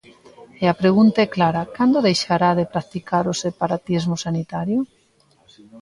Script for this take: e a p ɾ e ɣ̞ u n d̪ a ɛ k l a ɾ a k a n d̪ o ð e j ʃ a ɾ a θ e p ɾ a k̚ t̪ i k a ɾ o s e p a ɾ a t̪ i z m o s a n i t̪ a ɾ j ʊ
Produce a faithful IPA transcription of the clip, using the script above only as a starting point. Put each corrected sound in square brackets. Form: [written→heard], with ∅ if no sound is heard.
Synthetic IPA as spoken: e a p ɾ e ɣ̞ u n [d̪→t̪] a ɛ k l a ɾ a k a n d̪ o ð e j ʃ a ɾ a [θ→ð] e p ɾ a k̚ t̪ i k a ɾ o s e p a ɾ a t̪ i z m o s a n i t̪ a ɾ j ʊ

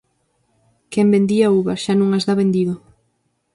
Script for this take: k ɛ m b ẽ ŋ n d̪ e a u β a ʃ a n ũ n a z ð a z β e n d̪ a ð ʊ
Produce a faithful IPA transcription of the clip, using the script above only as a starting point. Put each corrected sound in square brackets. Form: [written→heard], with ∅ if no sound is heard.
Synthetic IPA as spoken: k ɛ m b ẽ [ŋ→∅] n d̪ [e→i] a u β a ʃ a n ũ [n→ŋ] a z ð a [z→∅] β e n d̪ [a→i] ð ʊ

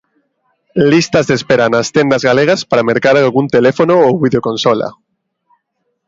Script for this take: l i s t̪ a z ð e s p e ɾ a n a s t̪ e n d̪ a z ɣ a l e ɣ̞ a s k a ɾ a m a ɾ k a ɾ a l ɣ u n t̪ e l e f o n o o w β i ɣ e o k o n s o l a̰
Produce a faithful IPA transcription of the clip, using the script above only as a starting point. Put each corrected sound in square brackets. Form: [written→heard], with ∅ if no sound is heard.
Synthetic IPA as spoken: l i s t̪ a z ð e s p e ɾ a n a s t̪ e n d̪ a z ɣ a l e ɣ̞ a s [k→p] a ɾ a m [a→e] ɾ k a ɾ a l ɣ u n t̪ e l e f o n o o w β i [ɣ→ð] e o k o n s o l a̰

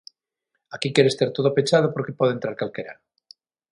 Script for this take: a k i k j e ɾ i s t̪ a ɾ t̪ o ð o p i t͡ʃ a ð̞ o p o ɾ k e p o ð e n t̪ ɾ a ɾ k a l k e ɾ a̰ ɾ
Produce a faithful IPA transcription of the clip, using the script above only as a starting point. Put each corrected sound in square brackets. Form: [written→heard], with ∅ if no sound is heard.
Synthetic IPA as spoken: a k i k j e ɾ [i→e] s t̪ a ɾ t̪ o ð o p [i→e] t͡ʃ a ð̞ o p o ɾ k e p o ð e n t̪ ɾ a ɾ k a l k e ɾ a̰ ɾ

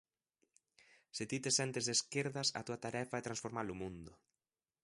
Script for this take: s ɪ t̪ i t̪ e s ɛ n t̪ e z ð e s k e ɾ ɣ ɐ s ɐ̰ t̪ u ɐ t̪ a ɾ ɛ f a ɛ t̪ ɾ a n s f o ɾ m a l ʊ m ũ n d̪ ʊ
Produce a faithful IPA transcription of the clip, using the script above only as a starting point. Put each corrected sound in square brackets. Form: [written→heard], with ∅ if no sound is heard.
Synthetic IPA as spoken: s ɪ t̪ i t̪ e s ɛ n t̪ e z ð e s k e ɾ [ɣ→ð] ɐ s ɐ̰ t̪ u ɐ t̪ a ɾ ɛ f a ɛ t̪ ɾ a n s f o ɾ m a l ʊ m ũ n d̪ ʊ

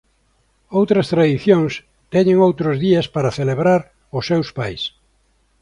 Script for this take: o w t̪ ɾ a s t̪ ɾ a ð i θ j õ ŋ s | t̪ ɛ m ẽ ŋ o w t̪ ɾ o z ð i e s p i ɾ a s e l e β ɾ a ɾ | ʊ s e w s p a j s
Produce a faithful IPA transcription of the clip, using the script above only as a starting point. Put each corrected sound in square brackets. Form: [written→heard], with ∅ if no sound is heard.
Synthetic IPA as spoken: o w t̪ ɾ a s t̪ ɾ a ð i θ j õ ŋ s | t̪ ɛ [m→ɲ] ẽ ŋ o w t̪ ɾ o z ð i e s p [i→a] ɾ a [s→θ] e l e β ɾ a ɾ | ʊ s e w s p a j s

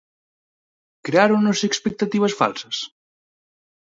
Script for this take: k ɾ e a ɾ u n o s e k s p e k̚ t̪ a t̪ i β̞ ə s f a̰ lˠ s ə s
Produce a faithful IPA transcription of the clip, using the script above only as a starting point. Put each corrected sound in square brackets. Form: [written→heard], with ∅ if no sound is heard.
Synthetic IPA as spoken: k ɾ e a ɾ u n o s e k s p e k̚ t̪ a t̪ i β̞ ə s f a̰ lˠ s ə s

